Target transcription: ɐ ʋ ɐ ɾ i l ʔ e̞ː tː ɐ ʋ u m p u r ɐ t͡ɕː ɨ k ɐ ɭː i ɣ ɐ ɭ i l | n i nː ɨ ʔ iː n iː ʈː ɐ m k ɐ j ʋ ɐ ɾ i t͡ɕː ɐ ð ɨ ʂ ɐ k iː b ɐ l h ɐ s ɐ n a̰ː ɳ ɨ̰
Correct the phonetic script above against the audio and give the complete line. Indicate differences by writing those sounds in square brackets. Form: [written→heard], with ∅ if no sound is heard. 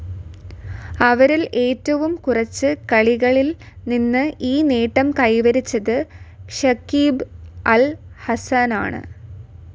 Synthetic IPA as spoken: ɐ ʋ ɐ ɾ i l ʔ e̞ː tː ɐ ʋ u m [p→k] u r ɐ t͡ɕː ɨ k ɐ [ɭː→ɭ] i ɣ ɐ ɭ i l | n i nː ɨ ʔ iː n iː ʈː ɐ m k ɐ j ʋ ɐ ɾ i t͡ɕː ɐ ð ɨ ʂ ɐ k iː b ɐ l h ɐ s ɐ n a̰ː ɳ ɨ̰